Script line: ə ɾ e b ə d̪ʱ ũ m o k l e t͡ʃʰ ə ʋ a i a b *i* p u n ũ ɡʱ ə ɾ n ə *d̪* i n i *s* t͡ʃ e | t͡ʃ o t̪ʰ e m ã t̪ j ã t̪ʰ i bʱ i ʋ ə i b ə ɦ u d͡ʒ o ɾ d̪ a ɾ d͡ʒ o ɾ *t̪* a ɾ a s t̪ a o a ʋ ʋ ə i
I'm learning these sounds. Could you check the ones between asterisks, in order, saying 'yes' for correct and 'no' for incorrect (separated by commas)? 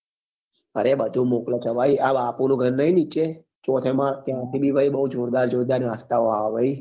no, no, no, no